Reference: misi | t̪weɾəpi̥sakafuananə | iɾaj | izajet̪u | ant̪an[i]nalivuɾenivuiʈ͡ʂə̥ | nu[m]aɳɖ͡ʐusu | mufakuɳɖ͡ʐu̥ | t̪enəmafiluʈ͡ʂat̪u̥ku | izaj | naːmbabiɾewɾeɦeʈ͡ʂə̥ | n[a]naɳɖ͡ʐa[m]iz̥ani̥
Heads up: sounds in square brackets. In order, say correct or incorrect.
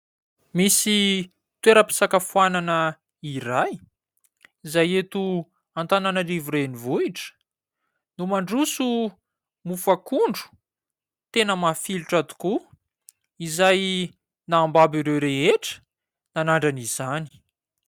incorrect, correct, correct, incorrect

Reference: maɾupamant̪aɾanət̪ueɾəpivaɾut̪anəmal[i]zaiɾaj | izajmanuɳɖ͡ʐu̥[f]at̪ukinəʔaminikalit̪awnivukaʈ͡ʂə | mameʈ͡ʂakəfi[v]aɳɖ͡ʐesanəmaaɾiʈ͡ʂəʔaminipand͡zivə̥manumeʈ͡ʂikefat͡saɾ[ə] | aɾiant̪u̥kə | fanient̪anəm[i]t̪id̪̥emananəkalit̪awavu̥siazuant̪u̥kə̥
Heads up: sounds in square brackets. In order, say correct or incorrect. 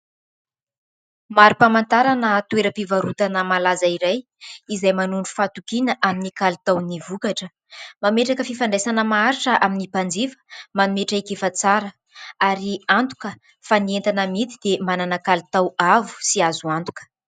incorrect, correct, incorrect, correct, correct

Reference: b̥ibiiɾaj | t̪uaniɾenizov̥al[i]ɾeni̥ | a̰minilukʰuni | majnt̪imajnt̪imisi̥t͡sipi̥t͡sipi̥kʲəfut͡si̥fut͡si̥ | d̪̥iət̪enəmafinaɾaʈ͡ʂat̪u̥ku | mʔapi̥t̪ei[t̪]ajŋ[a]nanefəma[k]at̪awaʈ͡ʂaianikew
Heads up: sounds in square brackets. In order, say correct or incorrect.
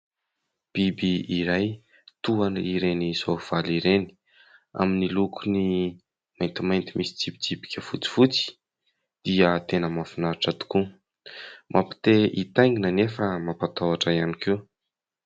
correct, correct, incorrect, incorrect

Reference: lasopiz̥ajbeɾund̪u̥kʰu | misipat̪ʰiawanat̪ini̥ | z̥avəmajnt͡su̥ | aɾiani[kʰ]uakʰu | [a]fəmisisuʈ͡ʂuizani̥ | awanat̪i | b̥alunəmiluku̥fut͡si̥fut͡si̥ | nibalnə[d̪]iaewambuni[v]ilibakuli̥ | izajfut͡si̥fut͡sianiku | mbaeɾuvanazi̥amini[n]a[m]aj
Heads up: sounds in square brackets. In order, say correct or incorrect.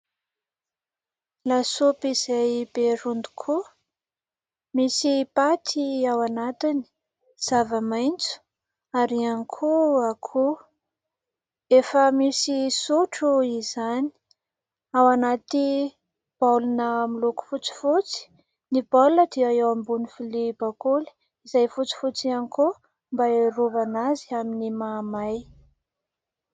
correct, incorrect, correct, incorrect, incorrect, correct

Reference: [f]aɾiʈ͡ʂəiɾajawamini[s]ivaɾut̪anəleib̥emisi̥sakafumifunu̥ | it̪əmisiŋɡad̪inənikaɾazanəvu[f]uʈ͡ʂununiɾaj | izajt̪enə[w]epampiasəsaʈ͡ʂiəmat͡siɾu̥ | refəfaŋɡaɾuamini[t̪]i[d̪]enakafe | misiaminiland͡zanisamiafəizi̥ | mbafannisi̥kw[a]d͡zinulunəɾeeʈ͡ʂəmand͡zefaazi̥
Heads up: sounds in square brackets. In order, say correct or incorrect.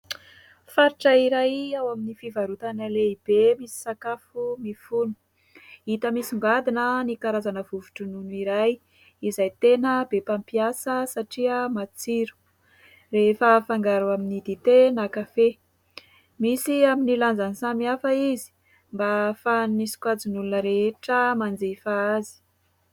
correct, incorrect, incorrect, incorrect, incorrect, incorrect, correct

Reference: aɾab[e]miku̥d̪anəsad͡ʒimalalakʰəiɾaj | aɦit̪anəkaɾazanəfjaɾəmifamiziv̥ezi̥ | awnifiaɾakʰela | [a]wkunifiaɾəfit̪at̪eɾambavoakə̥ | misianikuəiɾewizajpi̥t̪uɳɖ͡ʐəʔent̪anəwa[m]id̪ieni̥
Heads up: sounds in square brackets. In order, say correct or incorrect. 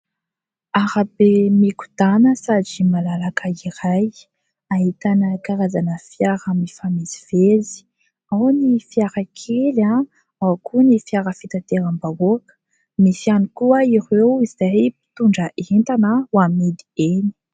correct, correct, correct

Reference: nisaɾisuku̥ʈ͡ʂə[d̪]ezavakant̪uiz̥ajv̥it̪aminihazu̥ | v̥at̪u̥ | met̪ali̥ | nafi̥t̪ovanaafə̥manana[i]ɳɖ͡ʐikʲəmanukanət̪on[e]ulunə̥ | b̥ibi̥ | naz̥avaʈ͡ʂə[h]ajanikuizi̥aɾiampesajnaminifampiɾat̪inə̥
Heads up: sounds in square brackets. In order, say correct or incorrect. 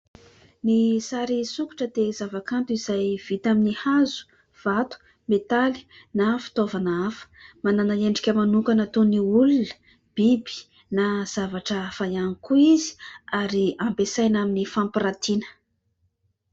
correct, incorrect, incorrect, incorrect

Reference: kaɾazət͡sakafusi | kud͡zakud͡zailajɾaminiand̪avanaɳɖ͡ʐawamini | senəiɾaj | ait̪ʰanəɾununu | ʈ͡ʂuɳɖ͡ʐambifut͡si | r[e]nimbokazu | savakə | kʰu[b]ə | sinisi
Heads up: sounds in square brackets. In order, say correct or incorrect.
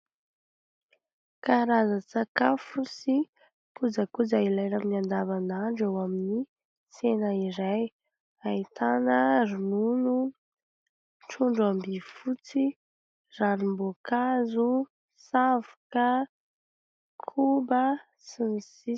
incorrect, correct

